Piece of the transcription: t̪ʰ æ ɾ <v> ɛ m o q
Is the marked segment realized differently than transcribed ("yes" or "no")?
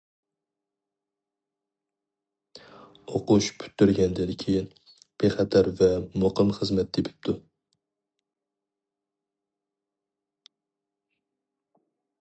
no